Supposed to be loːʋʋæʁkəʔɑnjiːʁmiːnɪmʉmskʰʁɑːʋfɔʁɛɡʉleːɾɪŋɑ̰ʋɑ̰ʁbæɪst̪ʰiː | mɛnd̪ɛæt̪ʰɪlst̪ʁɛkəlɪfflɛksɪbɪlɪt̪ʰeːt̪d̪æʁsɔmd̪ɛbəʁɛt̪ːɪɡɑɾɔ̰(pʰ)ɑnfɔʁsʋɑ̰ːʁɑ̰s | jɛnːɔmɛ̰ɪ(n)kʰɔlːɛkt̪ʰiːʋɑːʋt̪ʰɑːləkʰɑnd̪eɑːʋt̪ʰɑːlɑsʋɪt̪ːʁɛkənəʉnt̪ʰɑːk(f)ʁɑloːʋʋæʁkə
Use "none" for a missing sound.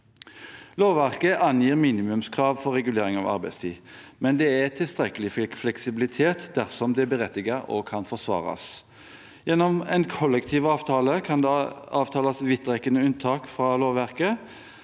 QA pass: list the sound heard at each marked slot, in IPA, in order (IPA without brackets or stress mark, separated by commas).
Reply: kʰ, n, f